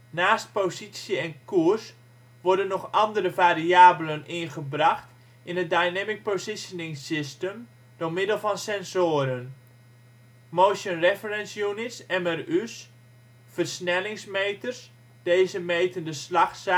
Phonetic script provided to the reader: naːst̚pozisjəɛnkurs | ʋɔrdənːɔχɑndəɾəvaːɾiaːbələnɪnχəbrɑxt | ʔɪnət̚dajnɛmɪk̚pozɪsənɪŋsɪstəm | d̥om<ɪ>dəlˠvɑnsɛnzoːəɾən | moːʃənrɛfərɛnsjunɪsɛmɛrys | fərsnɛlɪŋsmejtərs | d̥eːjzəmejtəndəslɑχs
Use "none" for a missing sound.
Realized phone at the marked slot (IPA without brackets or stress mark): ɪ